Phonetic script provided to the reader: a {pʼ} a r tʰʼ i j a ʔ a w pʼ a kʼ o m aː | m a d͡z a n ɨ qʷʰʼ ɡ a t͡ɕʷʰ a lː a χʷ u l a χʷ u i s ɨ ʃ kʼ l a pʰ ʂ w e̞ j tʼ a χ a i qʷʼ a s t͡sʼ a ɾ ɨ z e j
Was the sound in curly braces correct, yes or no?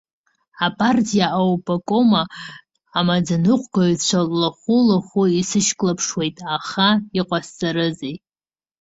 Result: yes